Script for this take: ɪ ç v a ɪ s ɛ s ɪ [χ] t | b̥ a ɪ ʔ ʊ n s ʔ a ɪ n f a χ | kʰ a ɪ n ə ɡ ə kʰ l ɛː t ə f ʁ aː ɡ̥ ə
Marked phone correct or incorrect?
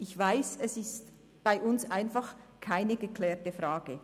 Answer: incorrect